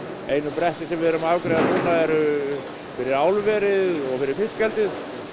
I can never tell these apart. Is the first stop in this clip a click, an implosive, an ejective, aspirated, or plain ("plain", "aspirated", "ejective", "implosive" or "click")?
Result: plain